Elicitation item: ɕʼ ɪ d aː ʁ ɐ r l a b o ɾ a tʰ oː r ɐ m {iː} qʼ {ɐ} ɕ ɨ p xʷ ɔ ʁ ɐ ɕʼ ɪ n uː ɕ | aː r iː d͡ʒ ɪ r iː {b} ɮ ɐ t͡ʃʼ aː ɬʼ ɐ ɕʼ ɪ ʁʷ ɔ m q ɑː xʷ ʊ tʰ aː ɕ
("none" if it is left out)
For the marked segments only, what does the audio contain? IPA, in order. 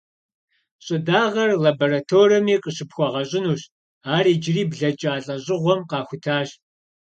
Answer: iː, ə, b

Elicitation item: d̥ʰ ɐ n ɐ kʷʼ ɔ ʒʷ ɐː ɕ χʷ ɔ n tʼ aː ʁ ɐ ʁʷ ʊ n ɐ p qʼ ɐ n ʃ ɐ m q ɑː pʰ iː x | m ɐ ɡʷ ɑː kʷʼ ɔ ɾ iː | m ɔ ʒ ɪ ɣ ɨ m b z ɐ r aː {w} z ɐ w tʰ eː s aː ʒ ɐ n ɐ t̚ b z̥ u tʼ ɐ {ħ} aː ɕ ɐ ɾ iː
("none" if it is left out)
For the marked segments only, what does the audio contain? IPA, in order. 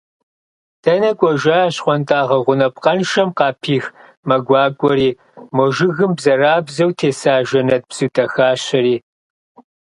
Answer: b, x

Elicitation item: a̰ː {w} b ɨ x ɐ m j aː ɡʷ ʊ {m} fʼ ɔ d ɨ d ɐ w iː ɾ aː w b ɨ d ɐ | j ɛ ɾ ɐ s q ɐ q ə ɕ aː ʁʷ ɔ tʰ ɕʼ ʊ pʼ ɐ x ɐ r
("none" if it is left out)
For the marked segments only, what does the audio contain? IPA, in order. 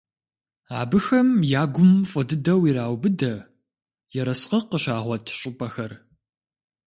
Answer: none, m

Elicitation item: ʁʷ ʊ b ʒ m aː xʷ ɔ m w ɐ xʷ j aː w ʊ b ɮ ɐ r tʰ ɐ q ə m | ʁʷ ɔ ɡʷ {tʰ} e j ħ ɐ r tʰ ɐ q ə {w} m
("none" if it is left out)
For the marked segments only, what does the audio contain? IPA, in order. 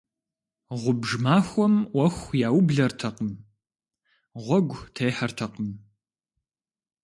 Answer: tʰ, none

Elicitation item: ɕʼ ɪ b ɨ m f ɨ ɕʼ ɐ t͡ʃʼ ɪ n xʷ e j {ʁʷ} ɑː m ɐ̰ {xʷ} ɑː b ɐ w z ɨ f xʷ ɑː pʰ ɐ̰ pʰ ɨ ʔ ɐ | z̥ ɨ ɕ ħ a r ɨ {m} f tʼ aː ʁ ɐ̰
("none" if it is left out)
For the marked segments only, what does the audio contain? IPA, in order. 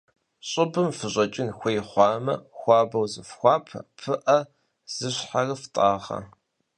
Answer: χʷ, xʷ, none

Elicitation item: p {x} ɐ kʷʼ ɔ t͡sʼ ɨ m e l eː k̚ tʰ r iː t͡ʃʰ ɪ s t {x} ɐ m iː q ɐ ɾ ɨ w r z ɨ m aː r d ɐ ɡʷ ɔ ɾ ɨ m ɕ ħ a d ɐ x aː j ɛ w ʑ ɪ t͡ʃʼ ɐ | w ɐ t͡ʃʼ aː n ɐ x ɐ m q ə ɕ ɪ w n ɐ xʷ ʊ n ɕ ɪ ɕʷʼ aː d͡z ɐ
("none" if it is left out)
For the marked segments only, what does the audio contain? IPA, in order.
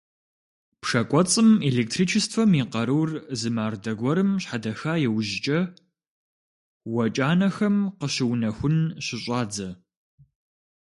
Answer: ʂ, f

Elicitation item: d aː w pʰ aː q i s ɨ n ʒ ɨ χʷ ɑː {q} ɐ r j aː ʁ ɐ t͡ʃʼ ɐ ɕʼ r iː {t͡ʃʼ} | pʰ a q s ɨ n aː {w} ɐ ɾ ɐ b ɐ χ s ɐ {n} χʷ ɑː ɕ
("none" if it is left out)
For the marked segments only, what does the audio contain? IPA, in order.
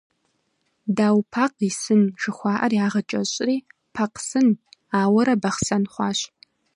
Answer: ʔ, none, w, n

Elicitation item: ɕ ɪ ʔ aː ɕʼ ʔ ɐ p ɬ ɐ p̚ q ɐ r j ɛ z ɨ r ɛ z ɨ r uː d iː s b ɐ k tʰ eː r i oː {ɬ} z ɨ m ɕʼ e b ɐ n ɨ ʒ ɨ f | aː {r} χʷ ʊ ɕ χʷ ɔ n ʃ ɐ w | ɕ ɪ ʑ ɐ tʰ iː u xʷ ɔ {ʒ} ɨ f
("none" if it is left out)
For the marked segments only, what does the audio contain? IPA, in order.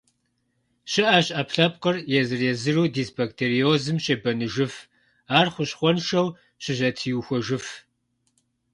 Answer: none, r, ʒ

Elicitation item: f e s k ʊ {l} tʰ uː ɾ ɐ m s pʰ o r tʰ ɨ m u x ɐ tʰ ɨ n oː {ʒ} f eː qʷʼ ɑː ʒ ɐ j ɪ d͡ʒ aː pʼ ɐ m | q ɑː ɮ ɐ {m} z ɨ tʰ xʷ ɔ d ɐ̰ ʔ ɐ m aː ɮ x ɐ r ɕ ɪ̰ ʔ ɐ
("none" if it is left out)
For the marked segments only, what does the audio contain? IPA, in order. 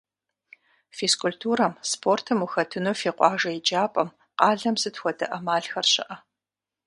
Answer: l, none, m

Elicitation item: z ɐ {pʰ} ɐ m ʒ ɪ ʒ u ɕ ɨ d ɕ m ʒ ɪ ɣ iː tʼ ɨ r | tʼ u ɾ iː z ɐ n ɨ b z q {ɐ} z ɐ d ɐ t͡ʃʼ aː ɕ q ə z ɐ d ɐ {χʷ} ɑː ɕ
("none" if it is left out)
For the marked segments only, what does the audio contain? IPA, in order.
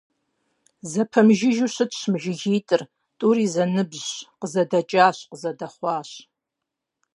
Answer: pʰ, ə, χʷ

